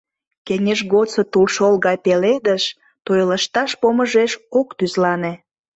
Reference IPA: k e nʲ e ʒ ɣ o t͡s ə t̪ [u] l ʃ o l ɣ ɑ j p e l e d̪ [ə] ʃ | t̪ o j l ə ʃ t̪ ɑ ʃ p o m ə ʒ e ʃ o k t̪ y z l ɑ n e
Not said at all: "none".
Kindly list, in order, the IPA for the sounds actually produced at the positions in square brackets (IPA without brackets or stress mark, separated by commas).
u, ə